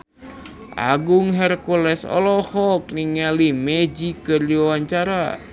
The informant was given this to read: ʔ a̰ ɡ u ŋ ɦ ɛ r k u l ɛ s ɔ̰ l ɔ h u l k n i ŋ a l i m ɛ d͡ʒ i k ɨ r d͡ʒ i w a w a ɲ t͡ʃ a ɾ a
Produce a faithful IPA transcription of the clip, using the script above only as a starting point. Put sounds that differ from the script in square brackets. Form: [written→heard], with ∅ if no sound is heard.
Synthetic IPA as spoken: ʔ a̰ ɡ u ŋ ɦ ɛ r k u l ɛ s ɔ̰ l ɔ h [u→ɔ] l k n i ŋ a l i m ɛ d͡ʒ i k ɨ r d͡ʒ i w a w a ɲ t͡ʃ a ɾ a